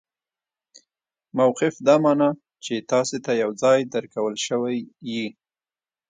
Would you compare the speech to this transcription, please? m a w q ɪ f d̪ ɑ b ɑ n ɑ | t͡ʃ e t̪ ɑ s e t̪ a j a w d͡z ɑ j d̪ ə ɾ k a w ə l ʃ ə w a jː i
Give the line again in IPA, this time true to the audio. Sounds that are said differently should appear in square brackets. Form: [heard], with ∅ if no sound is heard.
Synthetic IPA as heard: m a w q ɪ f d̪ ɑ [m] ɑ n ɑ | t͡ʃ e t̪ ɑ s e t̪ a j a w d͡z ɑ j d̪ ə ɾ k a w ə l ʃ ə w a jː i